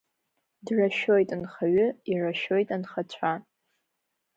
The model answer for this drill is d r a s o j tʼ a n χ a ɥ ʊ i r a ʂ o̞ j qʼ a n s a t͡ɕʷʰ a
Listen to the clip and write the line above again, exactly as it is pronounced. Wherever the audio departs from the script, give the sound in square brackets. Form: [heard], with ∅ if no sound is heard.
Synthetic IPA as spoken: d r a [ʃ] o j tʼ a n χ a ɥ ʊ i r a [ʃ] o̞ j [tʼ] a n [χ] a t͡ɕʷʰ a